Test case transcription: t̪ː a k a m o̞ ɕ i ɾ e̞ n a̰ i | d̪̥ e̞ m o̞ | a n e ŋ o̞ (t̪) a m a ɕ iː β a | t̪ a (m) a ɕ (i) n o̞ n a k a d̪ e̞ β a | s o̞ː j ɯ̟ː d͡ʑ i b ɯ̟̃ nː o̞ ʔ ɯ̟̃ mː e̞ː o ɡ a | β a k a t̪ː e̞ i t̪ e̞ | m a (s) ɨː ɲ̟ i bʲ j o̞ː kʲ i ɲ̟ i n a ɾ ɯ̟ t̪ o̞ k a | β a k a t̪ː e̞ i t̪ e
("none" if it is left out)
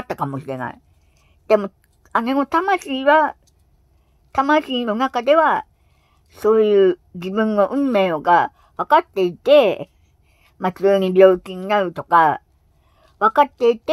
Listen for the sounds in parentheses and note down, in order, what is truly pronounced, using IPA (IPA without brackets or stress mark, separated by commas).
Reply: t̪, m, iː, t͡s